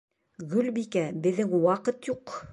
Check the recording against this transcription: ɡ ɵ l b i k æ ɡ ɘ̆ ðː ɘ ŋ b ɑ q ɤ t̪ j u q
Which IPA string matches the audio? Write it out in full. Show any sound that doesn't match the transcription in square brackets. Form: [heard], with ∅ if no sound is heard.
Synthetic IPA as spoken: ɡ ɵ l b i k æ [b] ɘ̆ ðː ɘ ŋ [w] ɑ q ɤ t̪ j u q